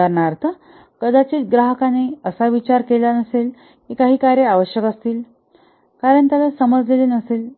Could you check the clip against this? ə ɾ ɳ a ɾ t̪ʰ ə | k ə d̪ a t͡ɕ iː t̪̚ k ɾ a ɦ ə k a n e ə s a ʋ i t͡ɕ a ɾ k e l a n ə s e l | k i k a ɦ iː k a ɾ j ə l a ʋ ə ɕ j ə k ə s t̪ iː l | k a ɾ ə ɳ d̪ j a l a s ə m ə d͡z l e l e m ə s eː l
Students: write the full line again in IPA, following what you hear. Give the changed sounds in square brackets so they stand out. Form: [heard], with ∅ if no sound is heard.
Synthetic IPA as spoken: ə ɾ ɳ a ɾ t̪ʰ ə | k ə d̪ a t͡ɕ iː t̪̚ [ɡ] ɾ a ɦ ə k a n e ə s a ʋ i t͡ɕ a ɾ k e l a n ə s e l | k i k a ɦ iː k a ɾ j ə [∅] a ʋ ə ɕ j ə k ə s t̪ iː l | k a ɾ ə ɳ [t̪] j a l a s ə m ə d͡z l e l e [n] ə s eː l